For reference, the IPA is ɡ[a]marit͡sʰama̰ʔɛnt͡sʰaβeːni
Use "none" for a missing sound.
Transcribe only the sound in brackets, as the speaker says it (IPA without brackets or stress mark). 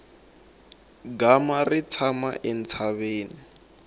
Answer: a